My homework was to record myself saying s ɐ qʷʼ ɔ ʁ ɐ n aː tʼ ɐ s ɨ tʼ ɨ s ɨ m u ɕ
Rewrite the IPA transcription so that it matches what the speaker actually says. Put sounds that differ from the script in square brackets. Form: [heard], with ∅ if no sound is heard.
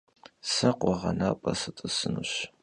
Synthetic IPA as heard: s ɐ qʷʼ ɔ ʁ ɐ n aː [pʼ] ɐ s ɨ tʼ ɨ s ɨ [n] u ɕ